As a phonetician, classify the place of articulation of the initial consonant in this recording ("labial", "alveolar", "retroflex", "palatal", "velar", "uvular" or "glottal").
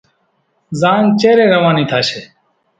alveolar